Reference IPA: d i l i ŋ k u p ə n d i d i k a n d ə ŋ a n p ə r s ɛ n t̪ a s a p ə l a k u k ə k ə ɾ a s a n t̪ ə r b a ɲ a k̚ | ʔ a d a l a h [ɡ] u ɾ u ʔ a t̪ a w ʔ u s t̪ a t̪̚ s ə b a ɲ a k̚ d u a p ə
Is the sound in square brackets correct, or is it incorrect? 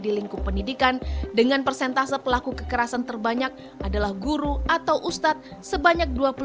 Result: correct